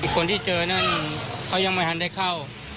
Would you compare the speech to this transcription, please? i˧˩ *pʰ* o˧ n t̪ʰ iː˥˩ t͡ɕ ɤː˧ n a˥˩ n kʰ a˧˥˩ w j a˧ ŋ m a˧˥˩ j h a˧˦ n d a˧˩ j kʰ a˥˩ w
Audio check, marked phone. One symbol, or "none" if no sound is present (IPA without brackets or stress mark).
kʰ